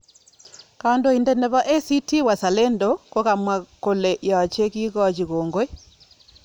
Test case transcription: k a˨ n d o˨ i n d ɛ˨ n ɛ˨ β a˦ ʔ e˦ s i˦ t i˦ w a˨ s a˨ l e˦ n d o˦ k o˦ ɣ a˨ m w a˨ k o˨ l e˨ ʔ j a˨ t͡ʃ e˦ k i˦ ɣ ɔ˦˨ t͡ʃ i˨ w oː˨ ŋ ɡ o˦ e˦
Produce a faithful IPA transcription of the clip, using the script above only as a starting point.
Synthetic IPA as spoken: k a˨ n d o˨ i n d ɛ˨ n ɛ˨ β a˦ ʔ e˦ s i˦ t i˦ w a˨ s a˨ l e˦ n d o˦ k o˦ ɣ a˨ m w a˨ k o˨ l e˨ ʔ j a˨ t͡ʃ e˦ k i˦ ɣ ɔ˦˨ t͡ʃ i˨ ɣ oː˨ ŋ ɡ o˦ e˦

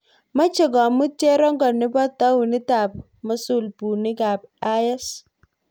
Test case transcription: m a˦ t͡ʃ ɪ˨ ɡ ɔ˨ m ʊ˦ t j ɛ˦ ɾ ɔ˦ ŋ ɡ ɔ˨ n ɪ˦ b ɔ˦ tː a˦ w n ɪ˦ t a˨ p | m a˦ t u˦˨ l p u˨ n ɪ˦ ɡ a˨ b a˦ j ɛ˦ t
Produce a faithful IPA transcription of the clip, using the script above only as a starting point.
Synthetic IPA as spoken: m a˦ t͡ʃ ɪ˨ ɡ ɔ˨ m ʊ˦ t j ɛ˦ ɾ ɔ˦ ŋ ɡ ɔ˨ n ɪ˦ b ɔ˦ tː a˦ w n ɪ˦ t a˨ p | m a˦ s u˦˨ l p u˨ n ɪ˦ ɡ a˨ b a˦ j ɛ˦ s

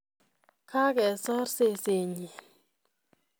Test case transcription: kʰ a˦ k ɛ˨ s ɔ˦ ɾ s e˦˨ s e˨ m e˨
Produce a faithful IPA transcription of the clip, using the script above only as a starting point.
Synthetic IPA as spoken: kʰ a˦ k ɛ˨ s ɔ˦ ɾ s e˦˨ s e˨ ɲ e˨

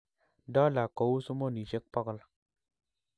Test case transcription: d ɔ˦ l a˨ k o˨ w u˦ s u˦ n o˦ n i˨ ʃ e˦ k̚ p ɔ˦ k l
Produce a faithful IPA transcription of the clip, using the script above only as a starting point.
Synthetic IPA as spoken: d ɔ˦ l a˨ k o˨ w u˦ s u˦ m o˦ n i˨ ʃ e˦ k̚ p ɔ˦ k l

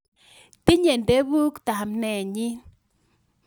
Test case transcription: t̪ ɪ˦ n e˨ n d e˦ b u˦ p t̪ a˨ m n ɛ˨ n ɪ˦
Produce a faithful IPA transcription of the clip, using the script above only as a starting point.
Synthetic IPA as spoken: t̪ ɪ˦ ɲ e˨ n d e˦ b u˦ k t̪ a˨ m n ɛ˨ ɲ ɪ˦

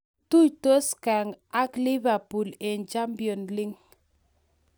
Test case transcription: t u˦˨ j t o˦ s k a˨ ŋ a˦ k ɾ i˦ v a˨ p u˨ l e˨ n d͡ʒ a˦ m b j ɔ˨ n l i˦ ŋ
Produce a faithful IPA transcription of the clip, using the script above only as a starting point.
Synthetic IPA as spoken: t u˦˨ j t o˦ s k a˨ ŋ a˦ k l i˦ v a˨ p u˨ l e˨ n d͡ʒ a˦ m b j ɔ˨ n l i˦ ŋ

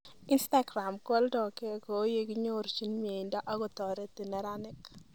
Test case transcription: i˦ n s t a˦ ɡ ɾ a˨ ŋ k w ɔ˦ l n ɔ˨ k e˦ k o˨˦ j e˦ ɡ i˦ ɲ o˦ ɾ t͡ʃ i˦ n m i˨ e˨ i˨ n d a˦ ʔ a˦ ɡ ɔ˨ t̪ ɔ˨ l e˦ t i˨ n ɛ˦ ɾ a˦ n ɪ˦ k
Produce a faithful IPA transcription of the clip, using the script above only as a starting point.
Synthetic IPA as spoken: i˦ n s t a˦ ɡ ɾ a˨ m k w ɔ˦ l d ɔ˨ k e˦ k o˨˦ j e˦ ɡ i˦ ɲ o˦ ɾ t͡ʃ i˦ n m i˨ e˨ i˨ n d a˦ ʔ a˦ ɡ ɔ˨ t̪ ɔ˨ ɾ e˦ t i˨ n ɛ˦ ɾ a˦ n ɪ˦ k

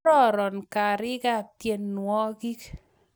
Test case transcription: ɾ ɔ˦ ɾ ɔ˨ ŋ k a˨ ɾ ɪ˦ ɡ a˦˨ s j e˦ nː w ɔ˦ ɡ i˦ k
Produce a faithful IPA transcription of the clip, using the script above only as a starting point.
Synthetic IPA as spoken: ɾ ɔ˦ ɾ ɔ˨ n k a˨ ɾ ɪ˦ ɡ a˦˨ t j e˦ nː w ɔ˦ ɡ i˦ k

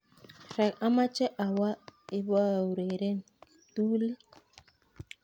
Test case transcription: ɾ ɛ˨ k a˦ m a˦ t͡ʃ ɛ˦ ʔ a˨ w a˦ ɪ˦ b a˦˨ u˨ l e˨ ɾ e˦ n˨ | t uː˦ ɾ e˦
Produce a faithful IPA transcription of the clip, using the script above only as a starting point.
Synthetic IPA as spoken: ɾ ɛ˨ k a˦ m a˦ t͡ʃ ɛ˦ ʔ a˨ w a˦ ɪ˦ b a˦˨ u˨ ɾ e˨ ɾ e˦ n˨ | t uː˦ l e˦

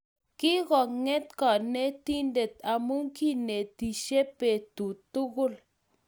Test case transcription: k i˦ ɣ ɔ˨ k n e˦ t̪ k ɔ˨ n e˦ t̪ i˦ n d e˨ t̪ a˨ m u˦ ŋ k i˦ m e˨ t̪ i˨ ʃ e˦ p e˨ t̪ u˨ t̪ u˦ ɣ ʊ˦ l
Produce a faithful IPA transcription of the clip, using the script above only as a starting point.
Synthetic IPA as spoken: k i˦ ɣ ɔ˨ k ŋ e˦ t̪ k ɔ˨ n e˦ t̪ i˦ n d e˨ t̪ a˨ m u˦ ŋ k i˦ n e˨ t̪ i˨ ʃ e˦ p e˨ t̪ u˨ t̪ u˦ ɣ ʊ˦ l

